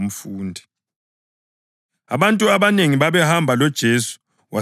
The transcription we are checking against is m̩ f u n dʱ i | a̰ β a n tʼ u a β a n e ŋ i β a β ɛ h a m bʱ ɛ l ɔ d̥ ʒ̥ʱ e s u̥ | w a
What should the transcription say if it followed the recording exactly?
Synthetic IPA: m̩ f uː n dʱ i | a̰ β a n tʼ u a β a n e ŋ i β a β ɛ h a m bʱ a l ɔ d̥ ʒ̥ʱ e s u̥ | w a